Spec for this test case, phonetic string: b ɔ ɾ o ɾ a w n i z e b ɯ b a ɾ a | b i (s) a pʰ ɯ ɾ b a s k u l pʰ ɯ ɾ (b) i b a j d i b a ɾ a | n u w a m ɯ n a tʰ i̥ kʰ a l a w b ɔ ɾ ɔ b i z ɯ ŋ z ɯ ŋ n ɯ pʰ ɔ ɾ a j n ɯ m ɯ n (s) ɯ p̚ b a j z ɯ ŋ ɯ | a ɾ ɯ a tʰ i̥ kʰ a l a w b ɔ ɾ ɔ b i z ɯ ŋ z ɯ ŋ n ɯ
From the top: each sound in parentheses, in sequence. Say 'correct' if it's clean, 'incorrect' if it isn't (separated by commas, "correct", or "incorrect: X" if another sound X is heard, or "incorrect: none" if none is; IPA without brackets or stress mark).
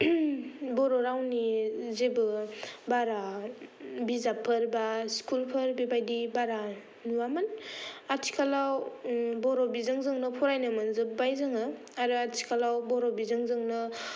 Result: incorrect: z, correct, incorrect: z